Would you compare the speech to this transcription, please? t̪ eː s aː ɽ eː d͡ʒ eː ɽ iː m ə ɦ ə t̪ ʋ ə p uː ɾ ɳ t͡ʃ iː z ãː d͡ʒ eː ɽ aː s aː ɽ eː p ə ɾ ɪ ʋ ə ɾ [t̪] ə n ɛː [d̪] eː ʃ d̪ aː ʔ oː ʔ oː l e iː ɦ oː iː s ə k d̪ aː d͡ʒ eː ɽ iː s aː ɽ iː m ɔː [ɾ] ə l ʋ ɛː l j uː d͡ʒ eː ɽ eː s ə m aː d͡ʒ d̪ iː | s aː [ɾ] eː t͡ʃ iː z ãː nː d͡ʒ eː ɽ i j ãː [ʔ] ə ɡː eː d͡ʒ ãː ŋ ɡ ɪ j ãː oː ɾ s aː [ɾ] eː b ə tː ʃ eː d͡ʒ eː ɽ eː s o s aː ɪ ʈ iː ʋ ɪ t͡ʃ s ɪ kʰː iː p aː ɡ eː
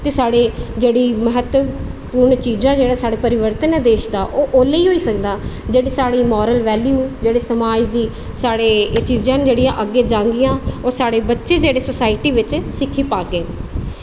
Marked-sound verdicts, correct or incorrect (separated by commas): correct, correct, correct, incorrect, correct, incorrect